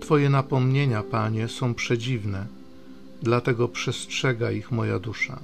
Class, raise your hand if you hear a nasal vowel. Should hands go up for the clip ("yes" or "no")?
yes